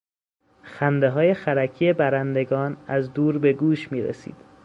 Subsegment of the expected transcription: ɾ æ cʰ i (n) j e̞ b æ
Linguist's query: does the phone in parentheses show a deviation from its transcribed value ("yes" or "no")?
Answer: yes